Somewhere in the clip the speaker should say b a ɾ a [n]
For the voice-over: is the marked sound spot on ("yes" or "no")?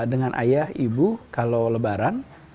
yes